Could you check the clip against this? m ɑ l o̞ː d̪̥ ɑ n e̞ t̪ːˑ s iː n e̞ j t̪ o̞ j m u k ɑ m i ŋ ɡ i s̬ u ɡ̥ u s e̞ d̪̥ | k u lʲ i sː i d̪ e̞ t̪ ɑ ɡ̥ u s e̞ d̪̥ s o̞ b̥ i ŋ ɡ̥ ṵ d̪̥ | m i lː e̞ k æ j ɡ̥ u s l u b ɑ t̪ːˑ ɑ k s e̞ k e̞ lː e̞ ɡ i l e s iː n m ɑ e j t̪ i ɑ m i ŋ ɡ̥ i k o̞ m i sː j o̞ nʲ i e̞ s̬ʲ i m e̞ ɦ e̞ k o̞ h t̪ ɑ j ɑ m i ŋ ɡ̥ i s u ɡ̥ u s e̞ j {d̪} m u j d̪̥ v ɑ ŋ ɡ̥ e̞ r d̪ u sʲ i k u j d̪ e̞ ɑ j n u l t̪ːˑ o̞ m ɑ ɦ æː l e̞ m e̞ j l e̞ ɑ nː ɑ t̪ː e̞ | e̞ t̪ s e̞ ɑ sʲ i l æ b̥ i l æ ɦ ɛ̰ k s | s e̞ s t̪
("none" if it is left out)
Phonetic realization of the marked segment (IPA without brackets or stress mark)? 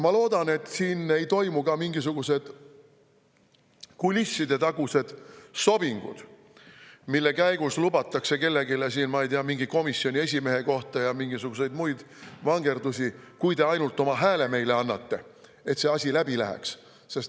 d̪